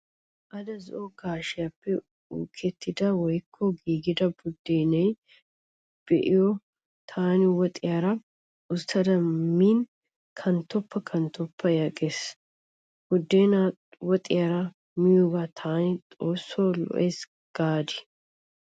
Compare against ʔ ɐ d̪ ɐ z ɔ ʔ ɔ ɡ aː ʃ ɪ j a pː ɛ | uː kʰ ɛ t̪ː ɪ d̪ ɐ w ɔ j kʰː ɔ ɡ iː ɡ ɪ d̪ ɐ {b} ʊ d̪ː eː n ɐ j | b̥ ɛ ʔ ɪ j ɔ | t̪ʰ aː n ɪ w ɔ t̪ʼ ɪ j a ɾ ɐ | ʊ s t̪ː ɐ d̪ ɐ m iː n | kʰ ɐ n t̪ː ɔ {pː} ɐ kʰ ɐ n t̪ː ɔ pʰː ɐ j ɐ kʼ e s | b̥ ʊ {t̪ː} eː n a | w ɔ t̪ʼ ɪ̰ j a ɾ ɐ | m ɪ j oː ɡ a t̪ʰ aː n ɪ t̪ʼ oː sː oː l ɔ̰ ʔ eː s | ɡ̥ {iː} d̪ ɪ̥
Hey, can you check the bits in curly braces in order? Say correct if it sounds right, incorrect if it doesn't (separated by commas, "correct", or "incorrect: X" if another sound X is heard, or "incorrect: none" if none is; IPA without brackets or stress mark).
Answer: correct, correct, incorrect: d̪ː, incorrect: aː